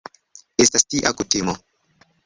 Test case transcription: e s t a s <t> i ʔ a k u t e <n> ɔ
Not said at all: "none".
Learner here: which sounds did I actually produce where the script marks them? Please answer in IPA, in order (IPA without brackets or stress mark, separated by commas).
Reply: t, m